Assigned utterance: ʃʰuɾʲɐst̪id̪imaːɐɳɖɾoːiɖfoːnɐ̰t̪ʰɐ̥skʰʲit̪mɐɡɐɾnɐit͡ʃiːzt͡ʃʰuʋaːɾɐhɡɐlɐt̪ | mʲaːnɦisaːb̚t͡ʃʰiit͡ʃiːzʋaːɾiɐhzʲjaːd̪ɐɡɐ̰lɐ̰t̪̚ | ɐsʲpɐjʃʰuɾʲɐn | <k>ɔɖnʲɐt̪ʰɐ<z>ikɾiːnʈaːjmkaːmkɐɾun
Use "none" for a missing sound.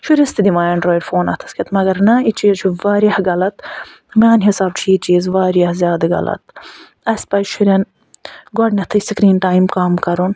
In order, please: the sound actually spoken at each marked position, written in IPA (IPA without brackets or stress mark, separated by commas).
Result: ɡ, s